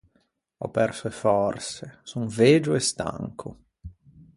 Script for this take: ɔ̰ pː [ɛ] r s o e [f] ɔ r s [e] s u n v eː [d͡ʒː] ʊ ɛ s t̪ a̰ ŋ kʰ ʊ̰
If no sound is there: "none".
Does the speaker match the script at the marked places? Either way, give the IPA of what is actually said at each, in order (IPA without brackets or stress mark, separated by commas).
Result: ɛ, f, e, d͡ʒ